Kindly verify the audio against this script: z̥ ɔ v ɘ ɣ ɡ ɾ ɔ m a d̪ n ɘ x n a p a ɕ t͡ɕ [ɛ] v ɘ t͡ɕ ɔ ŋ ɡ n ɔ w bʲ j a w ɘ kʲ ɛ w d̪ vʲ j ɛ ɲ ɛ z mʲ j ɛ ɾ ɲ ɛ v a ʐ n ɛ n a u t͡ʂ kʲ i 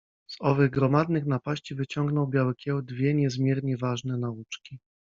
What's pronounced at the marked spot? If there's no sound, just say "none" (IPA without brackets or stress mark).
i